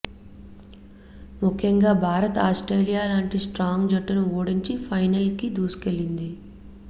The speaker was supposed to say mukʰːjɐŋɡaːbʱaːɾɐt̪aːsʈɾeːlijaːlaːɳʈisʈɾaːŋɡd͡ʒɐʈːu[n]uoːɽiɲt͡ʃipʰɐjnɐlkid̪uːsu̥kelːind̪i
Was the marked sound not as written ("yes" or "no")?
no